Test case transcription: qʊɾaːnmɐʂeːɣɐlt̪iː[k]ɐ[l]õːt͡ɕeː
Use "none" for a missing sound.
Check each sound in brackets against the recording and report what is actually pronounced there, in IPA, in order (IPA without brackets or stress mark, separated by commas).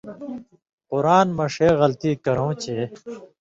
k, ɾ